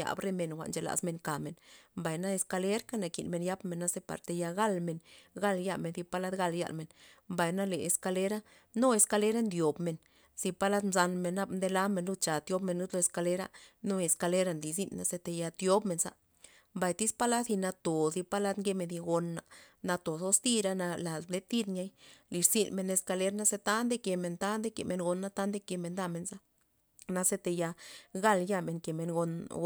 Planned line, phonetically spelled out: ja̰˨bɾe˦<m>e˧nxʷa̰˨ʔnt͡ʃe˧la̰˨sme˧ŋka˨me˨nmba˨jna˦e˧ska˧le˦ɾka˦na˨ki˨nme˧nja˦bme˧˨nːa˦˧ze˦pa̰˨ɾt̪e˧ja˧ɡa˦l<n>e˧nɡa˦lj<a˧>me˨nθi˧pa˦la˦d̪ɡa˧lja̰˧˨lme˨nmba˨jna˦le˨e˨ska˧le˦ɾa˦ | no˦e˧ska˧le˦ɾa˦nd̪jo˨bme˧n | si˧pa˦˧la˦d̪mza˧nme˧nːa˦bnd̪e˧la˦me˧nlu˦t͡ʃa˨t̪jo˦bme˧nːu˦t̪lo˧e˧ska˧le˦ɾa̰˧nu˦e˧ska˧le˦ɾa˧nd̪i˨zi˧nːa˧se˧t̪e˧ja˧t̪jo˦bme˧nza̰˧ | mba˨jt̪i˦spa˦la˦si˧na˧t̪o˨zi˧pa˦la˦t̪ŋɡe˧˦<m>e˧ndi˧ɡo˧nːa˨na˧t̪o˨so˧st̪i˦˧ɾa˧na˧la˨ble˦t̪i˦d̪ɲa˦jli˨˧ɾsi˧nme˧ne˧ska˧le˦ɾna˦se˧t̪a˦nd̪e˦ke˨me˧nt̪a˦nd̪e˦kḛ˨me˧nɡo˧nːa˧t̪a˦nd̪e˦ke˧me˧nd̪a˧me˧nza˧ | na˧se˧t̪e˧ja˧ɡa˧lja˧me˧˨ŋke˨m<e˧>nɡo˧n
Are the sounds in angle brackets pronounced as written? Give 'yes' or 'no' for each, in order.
yes, no, yes, yes, yes

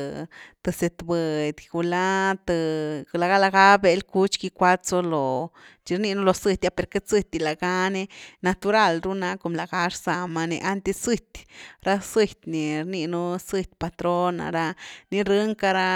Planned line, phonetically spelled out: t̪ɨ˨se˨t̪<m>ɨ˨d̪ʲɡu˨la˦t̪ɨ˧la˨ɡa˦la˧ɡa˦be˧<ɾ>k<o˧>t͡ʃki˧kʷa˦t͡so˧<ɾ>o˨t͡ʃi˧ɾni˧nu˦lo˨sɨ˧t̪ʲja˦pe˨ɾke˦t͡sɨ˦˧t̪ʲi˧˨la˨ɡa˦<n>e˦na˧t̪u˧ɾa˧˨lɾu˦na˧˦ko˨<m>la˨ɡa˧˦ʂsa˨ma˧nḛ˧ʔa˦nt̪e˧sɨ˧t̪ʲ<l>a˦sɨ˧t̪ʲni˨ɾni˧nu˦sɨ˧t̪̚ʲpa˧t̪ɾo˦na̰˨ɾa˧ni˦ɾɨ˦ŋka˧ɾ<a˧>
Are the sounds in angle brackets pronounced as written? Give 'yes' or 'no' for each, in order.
no, no, no, no, yes, yes, no, yes

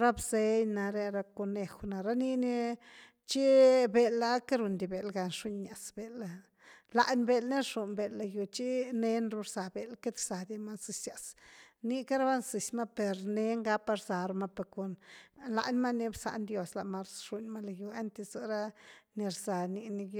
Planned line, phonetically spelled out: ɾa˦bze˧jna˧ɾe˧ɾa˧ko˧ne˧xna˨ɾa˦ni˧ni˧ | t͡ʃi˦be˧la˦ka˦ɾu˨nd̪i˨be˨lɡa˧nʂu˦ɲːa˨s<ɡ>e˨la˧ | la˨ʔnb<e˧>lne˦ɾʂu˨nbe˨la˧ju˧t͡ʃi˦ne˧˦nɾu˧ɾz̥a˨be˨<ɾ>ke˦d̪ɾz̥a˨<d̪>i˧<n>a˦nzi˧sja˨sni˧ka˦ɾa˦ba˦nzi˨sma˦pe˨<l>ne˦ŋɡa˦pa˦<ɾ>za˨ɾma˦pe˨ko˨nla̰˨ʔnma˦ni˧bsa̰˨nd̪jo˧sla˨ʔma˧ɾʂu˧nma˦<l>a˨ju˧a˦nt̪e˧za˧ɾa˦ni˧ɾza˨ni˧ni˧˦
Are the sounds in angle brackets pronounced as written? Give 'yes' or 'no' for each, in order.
no, yes, no, yes, no, no, yes, yes

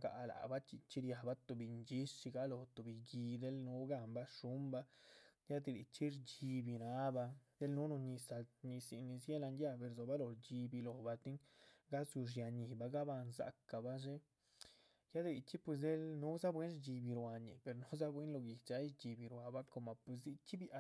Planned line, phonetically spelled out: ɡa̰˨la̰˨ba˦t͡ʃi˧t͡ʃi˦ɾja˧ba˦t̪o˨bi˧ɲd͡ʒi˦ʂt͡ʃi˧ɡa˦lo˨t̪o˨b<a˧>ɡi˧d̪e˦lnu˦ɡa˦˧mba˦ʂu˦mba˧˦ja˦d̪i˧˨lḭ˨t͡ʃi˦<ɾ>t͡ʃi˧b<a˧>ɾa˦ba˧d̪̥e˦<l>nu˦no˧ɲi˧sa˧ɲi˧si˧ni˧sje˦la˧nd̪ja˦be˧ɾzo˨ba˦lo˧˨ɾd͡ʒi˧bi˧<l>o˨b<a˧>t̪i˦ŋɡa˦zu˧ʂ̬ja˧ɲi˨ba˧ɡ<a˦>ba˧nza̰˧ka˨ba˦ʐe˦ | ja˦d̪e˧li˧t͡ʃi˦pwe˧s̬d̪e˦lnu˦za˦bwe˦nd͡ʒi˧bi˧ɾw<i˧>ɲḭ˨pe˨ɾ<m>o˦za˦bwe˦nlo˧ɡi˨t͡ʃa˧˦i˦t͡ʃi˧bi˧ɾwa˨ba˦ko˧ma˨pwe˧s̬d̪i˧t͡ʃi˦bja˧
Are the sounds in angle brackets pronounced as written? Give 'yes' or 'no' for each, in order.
no, yes, no, yes, yes, yes, yes, no, no

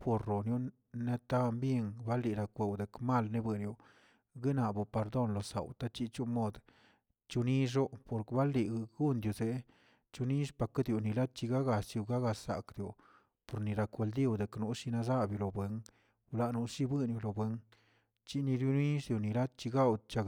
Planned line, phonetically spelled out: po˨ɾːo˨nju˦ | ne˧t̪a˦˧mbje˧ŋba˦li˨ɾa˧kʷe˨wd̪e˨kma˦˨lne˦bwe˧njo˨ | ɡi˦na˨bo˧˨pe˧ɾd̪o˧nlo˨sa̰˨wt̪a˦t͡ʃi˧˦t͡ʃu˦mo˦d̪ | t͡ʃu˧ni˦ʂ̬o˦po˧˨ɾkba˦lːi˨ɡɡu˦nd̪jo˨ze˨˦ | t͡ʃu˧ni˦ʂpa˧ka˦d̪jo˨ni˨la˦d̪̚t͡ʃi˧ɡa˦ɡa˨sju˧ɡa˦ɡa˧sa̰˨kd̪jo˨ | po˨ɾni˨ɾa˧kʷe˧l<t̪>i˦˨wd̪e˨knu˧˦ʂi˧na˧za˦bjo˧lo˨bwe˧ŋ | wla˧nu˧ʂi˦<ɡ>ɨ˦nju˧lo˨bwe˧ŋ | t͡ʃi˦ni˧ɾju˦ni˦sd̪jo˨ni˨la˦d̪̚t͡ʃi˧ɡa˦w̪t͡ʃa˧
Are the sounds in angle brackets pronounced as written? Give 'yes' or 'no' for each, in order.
no, no

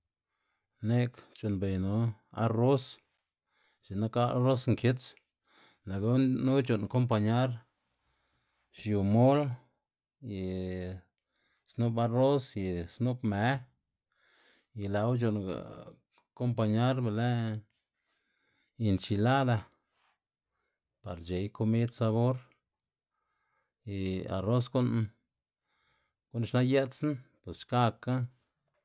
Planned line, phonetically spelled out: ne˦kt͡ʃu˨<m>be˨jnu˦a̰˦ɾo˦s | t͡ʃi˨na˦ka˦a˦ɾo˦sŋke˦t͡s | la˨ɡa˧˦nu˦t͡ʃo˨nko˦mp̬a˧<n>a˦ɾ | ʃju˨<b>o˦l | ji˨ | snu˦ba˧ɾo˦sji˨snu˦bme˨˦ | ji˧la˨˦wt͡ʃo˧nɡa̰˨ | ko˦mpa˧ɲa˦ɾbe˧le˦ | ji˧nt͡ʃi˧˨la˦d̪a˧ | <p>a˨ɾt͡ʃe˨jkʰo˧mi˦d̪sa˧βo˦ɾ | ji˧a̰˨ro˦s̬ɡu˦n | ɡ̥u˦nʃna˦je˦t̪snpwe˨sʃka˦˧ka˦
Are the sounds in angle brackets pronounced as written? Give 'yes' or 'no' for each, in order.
no, no, no, yes

